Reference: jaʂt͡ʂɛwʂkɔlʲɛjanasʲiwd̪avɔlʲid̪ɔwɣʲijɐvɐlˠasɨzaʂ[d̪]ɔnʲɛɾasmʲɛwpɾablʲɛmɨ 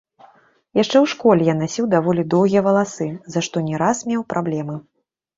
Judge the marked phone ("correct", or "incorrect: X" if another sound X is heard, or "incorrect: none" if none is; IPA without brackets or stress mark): incorrect: t̪